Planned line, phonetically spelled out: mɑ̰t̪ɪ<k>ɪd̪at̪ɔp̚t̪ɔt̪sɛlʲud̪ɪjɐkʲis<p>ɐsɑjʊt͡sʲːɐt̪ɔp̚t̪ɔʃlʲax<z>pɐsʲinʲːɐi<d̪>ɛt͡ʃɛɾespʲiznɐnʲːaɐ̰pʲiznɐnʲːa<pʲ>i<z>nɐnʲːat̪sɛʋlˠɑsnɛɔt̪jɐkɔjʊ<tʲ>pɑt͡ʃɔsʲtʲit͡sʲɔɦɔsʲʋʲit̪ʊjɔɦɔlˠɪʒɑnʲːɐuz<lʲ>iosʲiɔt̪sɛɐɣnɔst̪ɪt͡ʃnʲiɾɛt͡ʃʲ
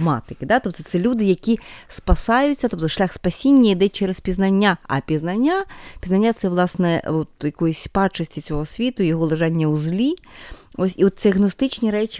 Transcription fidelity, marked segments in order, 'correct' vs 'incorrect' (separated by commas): correct, correct, incorrect, correct, correct, correct, incorrect, correct